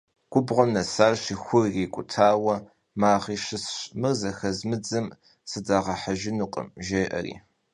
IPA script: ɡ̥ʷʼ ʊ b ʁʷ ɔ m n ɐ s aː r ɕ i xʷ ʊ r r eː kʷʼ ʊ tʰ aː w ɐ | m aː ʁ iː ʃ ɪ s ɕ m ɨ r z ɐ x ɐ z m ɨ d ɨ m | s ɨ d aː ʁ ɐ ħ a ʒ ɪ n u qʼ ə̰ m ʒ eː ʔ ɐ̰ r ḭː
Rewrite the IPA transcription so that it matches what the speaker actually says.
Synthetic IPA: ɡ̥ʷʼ ʊ b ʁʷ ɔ m n ɐ s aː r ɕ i xʷ ʊ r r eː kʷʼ ʊ tʰ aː w ɐ | m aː ʁ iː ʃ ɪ s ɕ m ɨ r z ɐ x ɐ z m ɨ d͡z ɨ m | s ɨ d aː ʁ ɐ ħ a ʒ ɪ n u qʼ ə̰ m ʒ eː ʔ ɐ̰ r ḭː